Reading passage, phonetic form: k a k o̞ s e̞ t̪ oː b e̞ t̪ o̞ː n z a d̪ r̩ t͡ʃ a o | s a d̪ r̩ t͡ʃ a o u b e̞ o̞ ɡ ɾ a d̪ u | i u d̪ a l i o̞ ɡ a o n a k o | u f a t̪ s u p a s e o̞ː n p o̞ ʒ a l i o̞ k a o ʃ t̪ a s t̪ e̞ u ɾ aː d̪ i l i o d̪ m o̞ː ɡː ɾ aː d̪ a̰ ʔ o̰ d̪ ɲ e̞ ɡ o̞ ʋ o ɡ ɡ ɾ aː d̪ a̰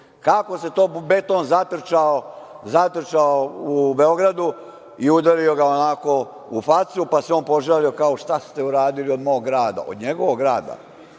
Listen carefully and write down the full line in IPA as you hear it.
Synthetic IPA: k a k o̞ s e̞ t̪ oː b e̞ t̪ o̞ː n z a t̪ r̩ t͡ʃ a o | z a t̪ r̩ t͡ʃ a o u b e̞ o̞ ɡ ɾ a d̪ u | i u d̪ a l i o̞ ɡ a o n a k o | u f a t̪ s u p a s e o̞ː n p o̞ ʒ a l i o̞ k a o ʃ t̪ a s t̪ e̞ u ɾ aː d̪ i l i o d̪ m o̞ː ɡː ɾ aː d̪ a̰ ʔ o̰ d̪ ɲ e̞ ɡ o̞ ʋ o ɡ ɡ ɾ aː d̪ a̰